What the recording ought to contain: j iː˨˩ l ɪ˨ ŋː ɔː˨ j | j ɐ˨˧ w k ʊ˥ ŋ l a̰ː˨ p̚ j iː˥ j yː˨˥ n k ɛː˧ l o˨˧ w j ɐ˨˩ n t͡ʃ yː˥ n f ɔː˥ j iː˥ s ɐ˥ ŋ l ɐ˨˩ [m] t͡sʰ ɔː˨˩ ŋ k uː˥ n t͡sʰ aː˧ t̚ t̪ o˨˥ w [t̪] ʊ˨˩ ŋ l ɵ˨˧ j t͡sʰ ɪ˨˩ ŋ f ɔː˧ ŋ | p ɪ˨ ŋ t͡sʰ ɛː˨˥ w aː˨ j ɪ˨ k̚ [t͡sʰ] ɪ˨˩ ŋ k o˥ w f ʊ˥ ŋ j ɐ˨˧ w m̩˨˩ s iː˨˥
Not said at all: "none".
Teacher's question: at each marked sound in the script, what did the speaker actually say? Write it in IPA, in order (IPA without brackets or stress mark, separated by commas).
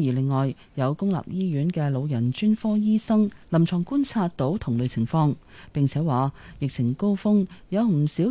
m, t̪ʰ, t͡sʰ